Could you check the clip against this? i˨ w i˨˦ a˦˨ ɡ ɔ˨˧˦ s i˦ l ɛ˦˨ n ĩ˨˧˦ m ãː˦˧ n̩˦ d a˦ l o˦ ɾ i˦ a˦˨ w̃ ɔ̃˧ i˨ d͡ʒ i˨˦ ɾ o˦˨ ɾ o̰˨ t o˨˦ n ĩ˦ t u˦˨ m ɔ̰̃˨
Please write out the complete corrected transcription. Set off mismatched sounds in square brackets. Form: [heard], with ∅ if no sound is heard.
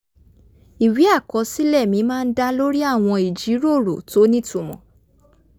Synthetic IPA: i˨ w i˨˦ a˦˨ [k] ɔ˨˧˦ s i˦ l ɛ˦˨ [m] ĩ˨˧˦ m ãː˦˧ n̩˦ d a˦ l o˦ ɾ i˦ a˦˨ w̃ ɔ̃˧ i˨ d͡ʒ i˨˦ ɾ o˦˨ ɾ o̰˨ t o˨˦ n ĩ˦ t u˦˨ m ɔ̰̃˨